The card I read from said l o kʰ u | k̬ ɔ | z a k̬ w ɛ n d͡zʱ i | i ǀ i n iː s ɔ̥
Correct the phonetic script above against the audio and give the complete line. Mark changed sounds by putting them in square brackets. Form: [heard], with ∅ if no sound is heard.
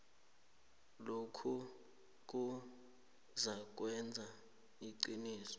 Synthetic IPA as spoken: l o kʰ u | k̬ [u] | z a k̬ w ɛ n d͡zʱ [a] | i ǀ i n iː s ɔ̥